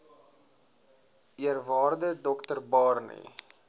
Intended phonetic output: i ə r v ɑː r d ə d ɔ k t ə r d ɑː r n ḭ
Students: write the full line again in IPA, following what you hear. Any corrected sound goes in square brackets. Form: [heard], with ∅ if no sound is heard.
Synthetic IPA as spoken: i ə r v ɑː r d ə d ɔ k t ə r [b] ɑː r n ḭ